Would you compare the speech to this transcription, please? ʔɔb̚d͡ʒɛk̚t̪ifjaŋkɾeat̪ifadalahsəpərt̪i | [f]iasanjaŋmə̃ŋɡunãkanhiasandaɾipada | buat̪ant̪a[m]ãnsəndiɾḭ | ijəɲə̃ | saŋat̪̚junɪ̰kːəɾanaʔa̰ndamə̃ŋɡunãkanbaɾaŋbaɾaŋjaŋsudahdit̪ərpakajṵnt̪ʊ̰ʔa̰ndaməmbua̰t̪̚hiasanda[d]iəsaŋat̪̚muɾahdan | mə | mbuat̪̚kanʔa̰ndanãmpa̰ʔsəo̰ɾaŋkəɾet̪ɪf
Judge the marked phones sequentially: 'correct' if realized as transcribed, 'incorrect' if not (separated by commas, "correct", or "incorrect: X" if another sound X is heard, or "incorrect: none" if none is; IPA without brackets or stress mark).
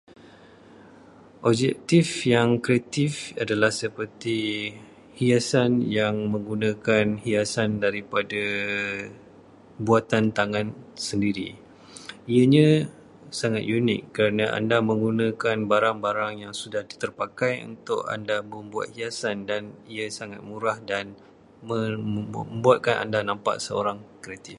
incorrect: h, incorrect: ŋ, incorrect: n